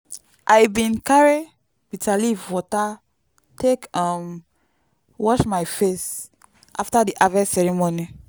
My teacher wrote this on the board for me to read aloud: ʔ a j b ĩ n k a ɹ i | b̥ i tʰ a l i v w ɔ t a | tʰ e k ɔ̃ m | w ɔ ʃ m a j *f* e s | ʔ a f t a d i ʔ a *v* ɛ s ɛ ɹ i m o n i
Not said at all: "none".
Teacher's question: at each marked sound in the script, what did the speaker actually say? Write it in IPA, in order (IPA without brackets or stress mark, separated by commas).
f, v